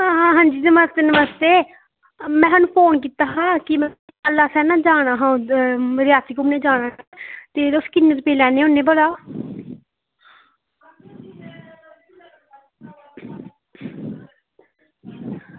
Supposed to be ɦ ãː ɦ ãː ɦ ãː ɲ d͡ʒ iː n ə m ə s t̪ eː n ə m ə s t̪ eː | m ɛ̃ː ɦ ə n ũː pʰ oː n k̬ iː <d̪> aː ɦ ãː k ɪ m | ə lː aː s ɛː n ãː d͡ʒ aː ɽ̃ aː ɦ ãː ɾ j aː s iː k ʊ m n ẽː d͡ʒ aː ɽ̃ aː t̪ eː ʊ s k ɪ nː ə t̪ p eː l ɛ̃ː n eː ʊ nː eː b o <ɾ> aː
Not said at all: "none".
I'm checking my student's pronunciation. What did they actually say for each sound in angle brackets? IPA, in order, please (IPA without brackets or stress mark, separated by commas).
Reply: t̪, l